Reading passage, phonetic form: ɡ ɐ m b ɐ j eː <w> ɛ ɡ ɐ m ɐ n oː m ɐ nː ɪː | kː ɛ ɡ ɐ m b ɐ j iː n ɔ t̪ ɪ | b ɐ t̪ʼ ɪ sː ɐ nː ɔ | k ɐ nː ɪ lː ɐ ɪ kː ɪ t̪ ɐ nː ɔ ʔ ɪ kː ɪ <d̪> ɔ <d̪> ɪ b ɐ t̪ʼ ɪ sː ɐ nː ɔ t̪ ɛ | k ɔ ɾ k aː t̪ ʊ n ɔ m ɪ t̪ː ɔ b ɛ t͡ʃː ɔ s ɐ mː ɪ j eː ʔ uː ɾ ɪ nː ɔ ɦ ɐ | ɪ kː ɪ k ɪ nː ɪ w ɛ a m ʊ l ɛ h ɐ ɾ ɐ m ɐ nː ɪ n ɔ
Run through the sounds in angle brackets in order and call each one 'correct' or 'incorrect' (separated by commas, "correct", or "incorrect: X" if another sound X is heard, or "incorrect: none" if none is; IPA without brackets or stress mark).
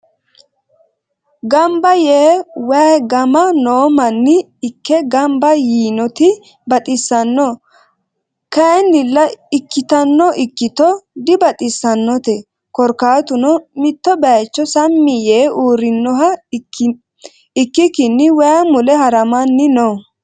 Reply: correct, incorrect: t̪, correct